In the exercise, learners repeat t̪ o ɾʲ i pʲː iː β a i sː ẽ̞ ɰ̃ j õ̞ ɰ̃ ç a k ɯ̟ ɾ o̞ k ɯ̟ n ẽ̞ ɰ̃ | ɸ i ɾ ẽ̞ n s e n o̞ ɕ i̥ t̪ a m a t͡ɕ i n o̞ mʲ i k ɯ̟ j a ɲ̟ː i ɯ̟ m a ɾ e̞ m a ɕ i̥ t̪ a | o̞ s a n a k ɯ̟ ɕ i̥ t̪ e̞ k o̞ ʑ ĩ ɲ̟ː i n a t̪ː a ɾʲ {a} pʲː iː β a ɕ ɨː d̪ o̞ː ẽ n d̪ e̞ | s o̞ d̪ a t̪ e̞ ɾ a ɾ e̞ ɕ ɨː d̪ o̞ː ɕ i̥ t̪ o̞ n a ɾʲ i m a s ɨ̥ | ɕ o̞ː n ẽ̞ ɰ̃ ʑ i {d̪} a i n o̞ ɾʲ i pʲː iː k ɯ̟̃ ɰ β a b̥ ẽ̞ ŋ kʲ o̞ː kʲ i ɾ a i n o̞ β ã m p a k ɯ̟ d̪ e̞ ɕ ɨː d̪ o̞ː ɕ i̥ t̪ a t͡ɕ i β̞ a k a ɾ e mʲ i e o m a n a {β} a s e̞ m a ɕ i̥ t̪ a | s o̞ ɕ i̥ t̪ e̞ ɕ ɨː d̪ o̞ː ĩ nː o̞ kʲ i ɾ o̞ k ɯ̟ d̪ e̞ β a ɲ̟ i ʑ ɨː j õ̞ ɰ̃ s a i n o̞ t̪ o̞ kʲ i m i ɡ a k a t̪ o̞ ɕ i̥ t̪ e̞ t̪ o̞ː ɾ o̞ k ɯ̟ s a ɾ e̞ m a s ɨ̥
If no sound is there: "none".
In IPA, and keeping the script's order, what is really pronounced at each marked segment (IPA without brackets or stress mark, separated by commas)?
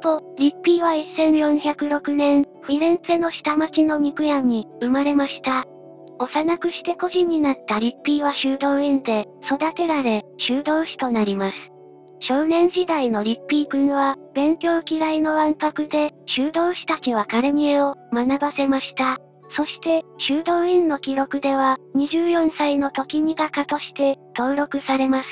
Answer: i, d̪, b